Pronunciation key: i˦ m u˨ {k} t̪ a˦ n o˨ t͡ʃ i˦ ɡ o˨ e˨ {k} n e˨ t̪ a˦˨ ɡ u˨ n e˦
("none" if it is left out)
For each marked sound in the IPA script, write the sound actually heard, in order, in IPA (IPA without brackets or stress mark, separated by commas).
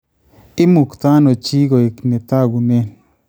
k, k